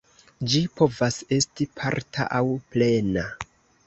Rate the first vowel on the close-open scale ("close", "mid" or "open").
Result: close